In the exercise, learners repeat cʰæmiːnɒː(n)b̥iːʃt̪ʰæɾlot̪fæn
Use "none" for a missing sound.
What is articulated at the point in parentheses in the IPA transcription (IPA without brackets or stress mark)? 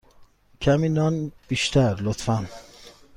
n